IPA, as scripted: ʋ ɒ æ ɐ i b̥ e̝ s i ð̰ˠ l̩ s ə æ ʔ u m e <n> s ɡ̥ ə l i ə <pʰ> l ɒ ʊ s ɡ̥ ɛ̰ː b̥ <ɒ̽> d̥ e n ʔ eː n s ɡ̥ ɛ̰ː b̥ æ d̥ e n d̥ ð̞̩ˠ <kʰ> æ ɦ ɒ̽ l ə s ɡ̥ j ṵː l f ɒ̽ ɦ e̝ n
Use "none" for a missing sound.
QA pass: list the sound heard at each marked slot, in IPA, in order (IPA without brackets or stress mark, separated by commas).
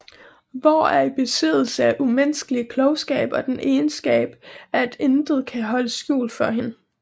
n, kʰ, ɒ̽, kʰ